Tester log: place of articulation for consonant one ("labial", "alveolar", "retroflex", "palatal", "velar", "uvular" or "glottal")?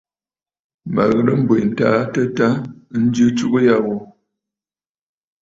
labial